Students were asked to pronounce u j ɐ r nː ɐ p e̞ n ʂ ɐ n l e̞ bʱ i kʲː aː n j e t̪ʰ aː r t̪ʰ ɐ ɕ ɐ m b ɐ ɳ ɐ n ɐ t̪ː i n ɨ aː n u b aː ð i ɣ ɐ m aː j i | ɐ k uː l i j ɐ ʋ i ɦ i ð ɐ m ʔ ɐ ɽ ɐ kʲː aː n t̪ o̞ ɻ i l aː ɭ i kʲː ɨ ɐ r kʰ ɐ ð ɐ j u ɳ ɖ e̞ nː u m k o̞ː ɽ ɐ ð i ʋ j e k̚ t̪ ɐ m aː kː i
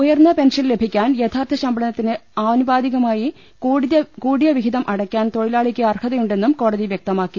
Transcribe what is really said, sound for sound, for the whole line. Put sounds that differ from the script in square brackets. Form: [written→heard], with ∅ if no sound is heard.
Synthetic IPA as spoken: u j ɐ r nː ɐ p e̞ n ʂ ɐ n l e̞ bʱ i kʲː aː n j e t̪ʰ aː r t̪ʰ ɐ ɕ ɐ m b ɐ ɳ ɐ n ɐ t̪ː i n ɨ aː n u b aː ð i ɣ ɐ m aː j i | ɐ k uː [l→ɽ] i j ɐ ʋ i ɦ i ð ɐ m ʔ ɐ ɽ ɐ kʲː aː n t̪ o̞ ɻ i l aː ɭ i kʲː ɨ ɐ r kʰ ɐ ð ɐ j u ɳ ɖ e̞ nː u m k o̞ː ɽ ɐ ð i ʋ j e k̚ t̪ ɐ m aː kː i